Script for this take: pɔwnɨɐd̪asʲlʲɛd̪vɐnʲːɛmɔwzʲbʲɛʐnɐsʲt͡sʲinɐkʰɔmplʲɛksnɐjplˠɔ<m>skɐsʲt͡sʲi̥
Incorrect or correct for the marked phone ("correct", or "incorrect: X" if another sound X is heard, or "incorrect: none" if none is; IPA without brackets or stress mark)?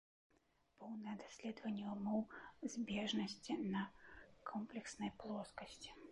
incorrect: none